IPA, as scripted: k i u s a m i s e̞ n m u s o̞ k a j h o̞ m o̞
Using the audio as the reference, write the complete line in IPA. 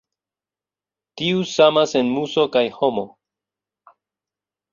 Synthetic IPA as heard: t i u s a m a s e̞ n m u s o̞ k a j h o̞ m o̞